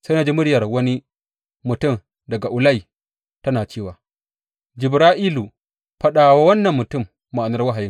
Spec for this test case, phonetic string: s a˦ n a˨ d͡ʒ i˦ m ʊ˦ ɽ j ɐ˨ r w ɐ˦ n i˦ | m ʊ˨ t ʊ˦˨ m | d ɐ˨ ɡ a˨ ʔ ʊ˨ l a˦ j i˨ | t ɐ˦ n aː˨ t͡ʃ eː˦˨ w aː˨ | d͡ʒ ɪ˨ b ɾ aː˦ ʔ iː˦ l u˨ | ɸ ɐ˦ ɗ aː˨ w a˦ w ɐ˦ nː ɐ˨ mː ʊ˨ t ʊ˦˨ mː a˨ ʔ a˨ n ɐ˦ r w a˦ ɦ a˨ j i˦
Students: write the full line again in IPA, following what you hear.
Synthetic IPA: s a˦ n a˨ d͡ʒ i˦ m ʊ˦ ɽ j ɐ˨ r w ɐ˦ n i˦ | m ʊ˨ t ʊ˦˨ m | d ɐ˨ ɡ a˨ ʔ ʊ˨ l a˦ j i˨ | t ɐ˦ n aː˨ t͡ʃ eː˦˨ w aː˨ | d͡ʒ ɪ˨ b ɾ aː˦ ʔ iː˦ l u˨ | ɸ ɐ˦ ɗ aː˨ w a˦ w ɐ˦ nː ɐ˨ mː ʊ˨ t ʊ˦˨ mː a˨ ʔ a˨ n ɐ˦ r w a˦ ɦ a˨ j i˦